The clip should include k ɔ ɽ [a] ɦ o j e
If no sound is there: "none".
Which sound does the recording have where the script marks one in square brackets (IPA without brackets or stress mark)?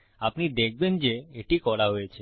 a